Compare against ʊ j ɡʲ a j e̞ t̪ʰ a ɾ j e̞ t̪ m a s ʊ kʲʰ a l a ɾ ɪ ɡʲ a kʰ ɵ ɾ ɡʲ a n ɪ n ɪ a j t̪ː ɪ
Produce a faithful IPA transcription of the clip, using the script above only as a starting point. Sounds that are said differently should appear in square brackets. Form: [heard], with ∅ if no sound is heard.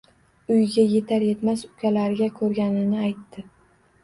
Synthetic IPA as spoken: ʊ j ɡʲ a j e̞ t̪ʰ a ɾ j e̞ t̪ m a s ʊ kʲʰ a l a ɾ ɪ ɡʲ a kʰ ɵ ɾ ɡʲ a n ɪ n ɪ a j t̪ː ɪ